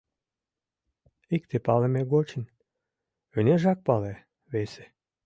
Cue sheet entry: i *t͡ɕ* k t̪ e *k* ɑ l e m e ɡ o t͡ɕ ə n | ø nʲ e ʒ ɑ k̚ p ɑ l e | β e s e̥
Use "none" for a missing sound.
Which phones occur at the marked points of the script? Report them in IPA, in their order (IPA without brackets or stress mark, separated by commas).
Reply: none, p